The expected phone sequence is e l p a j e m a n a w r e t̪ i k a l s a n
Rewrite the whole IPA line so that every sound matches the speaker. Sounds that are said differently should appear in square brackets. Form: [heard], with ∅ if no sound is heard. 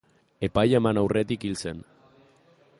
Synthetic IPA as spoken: e [∅] p a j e m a n a w r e t̪ i k [i] l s [e] n